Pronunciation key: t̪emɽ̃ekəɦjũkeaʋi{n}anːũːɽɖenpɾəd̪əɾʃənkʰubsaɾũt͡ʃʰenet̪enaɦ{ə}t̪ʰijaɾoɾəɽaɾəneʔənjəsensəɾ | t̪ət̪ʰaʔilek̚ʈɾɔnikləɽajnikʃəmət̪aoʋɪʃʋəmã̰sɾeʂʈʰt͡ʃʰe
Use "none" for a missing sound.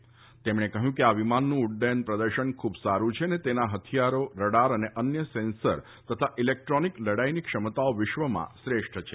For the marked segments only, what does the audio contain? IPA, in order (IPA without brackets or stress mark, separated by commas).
m, ə